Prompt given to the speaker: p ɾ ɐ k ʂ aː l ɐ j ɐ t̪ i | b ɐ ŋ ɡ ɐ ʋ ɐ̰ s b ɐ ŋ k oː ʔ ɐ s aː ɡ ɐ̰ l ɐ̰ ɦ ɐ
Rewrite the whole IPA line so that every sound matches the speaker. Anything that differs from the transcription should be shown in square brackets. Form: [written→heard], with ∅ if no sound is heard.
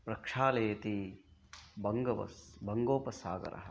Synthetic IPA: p ɾ ɐ k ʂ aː l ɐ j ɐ t̪ i | b ɐ ŋ ɡ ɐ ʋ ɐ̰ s b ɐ ŋ [k→ɡ] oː [ʔ→p] ɐ s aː ɡ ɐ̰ [l→ɾ] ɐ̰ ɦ ɐ